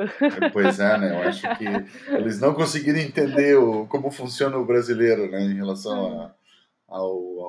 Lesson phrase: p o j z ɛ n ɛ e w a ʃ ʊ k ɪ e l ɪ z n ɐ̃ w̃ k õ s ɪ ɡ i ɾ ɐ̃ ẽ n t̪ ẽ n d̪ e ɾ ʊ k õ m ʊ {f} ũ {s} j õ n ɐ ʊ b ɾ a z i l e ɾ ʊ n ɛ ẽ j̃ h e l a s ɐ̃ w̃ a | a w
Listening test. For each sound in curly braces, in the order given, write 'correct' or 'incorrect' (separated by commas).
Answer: correct, correct